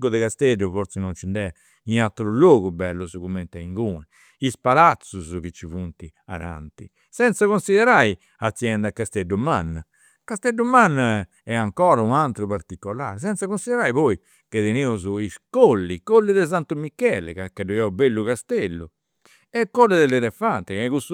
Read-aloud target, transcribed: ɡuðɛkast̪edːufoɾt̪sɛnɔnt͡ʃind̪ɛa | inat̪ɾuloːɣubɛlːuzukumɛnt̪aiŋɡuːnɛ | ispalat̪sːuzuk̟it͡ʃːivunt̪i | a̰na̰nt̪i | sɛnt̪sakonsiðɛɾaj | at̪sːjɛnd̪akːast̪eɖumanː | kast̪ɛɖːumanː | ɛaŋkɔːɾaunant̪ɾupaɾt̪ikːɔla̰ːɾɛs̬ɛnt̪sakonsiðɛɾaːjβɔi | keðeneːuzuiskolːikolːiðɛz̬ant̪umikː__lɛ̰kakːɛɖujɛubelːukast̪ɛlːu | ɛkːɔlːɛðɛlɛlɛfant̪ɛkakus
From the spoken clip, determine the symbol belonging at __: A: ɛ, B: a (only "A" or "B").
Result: A